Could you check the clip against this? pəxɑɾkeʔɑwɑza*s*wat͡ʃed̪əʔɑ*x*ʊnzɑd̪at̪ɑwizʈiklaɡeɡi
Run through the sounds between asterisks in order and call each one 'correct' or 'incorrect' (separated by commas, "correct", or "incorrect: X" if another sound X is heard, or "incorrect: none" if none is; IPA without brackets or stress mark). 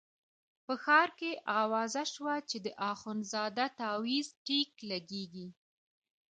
incorrect: ʃ, correct